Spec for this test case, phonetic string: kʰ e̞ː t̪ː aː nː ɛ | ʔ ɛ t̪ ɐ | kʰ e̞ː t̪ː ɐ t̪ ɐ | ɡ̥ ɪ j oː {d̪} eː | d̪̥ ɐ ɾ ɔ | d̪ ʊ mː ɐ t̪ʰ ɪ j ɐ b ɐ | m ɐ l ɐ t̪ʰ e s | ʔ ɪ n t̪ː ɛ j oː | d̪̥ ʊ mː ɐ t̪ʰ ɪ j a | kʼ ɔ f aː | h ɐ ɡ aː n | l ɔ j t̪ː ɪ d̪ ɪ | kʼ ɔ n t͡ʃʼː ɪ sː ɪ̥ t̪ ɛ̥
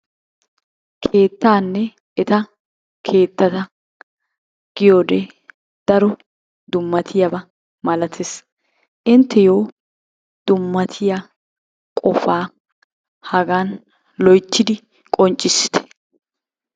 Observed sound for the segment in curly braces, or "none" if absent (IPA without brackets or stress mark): d̪